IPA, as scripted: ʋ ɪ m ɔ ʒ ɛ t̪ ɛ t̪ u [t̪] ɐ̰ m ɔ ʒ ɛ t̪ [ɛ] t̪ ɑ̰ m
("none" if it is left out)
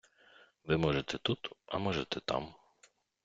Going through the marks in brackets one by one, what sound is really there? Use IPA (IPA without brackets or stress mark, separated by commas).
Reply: t̪, ɛ